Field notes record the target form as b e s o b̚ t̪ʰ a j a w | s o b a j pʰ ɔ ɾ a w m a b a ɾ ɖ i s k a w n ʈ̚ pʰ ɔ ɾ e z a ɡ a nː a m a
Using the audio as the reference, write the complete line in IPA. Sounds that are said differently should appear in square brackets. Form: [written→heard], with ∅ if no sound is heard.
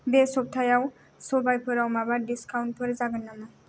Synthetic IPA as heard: b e s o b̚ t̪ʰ a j a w | s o b a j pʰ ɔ ɾ a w m a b a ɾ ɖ i s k a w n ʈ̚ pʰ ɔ ɾ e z a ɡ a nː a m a